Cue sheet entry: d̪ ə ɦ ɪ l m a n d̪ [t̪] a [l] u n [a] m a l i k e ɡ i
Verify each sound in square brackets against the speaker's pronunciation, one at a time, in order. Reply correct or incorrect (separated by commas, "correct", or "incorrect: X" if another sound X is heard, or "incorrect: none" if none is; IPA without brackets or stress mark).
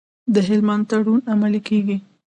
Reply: correct, incorrect: ɽ, correct